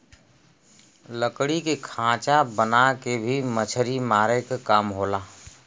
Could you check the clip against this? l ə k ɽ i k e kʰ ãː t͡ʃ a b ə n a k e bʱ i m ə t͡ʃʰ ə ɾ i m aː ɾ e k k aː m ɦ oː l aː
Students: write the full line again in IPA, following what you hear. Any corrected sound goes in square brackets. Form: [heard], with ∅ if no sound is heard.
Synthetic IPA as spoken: l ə k ɽ i k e kʰ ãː t͡ʃ a b ə n a k e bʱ i m ə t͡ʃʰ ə ɾ i m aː ɾ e k k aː m ɦ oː l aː